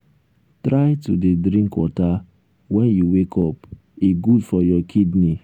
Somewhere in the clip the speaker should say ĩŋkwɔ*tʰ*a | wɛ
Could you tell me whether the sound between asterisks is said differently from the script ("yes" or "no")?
yes